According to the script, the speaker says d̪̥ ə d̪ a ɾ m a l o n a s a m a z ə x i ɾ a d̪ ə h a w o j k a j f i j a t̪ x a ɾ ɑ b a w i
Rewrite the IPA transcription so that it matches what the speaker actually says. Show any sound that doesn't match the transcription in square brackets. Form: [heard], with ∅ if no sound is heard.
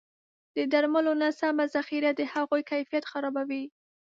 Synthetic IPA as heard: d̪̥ ə d̪ a ɾ m a l o n a s a m a z [a] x i ɾ a d̪ ə h a [ɣ] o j k a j f i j a t̪ x a ɾ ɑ b a w i